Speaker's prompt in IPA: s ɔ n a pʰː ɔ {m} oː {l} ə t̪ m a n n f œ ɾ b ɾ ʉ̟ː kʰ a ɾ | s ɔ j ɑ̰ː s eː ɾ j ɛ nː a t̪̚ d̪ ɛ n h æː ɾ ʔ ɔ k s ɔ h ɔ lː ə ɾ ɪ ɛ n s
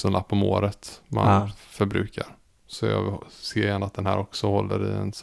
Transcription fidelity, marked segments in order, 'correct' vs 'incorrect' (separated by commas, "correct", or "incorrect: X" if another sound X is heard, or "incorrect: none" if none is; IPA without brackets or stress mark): correct, incorrect: ɾ